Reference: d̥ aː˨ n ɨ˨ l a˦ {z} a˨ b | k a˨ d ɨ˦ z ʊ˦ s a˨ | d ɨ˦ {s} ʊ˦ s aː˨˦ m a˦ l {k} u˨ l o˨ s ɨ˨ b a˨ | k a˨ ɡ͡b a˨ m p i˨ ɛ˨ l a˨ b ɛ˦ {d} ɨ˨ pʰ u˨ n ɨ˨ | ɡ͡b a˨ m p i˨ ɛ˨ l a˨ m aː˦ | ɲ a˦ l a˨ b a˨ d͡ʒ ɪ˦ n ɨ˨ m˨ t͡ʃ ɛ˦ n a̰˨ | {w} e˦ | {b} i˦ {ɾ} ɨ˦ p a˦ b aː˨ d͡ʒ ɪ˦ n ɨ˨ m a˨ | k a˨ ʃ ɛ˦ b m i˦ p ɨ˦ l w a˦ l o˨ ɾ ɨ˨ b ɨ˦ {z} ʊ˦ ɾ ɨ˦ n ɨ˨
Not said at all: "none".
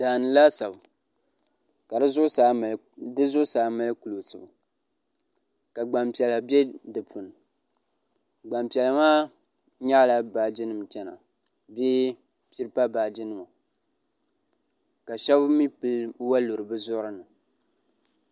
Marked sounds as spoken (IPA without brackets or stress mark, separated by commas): s, z, k, d, b, p, ɾ, z